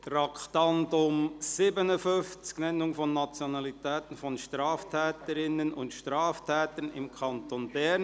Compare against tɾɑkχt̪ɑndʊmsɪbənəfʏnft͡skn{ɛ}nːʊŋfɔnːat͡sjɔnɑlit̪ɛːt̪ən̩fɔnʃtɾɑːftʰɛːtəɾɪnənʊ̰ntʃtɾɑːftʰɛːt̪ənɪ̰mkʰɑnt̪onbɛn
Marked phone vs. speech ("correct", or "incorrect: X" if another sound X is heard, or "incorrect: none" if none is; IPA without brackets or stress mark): correct